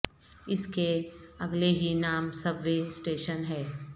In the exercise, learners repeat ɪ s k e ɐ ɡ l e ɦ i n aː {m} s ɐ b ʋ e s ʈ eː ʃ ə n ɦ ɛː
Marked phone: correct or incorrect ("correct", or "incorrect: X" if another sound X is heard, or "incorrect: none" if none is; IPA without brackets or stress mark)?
correct